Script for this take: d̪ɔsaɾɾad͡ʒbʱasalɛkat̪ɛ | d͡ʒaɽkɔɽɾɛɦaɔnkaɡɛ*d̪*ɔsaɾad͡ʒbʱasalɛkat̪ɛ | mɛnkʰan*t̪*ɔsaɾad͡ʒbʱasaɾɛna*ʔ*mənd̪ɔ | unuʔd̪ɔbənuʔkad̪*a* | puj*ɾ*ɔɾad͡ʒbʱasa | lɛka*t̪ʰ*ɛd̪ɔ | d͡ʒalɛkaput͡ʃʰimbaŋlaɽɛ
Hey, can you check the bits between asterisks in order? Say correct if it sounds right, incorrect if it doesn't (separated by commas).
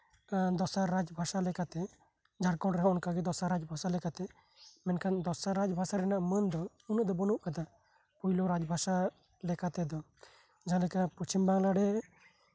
correct, incorrect, correct, correct, incorrect, incorrect